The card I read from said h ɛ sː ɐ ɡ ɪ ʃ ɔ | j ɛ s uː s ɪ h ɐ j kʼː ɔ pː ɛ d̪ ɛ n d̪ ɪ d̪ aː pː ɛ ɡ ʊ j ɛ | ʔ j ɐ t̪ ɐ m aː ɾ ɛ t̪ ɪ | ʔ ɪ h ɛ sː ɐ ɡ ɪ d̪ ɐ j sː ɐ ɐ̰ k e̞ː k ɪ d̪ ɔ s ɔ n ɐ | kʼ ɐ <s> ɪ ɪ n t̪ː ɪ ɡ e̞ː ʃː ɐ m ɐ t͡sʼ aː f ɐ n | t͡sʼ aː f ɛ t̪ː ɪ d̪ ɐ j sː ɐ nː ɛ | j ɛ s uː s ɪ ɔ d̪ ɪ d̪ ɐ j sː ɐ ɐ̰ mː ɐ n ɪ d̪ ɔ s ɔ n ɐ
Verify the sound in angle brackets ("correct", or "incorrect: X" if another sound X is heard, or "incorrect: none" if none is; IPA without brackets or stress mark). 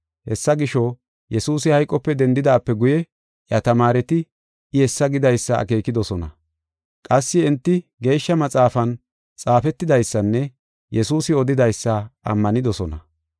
incorrect: sː